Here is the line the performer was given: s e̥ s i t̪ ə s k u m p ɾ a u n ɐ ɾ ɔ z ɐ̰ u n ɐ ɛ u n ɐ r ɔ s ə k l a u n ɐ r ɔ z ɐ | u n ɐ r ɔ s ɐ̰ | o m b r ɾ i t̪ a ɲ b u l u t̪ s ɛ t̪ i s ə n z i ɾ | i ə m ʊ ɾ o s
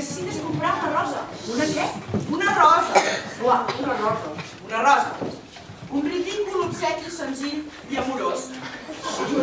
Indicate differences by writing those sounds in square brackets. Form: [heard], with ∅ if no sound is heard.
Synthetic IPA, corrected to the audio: s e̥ s i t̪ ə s k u m p ɾ a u n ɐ [r] ɔ z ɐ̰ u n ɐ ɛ u n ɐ r ɔ [z] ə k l a u n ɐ r ɔ z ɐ | u n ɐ r ɔ [z] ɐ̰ | [u] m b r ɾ i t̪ [i] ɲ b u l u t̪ s ɛ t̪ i s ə n z i [ʎ] | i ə m [u] ɾ o s